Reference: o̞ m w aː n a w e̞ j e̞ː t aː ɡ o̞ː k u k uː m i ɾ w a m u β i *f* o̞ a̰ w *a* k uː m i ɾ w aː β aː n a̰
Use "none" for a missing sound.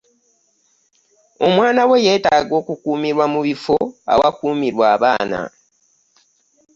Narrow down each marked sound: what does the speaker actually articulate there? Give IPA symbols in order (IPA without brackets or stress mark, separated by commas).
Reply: f, a